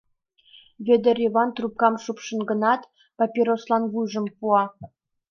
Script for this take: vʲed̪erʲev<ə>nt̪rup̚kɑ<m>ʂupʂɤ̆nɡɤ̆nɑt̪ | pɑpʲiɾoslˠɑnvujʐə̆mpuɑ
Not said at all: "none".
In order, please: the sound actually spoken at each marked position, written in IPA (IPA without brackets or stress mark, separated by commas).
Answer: ɑ, m